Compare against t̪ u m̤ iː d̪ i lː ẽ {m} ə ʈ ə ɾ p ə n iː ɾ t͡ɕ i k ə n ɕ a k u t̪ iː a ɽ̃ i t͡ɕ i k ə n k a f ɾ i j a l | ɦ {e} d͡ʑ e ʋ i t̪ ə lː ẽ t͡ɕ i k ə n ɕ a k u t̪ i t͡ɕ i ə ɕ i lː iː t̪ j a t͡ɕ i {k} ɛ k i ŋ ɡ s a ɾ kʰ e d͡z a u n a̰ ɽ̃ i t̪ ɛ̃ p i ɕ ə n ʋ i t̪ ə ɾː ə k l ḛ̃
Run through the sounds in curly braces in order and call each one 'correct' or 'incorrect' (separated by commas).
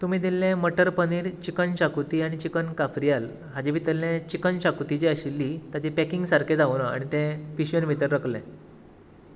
correct, incorrect, incorrect